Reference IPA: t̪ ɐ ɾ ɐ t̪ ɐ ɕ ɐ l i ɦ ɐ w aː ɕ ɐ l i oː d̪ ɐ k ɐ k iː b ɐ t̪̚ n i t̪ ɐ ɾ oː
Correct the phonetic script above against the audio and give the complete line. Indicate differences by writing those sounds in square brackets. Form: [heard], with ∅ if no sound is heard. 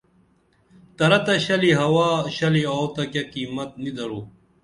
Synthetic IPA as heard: t̪ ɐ ɾ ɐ t̪ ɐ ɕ ɐ l i ɦ ɐ w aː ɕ ɐ l i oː [t̪] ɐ k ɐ k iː [m] ɐ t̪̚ n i [d̪] ɐ ɾ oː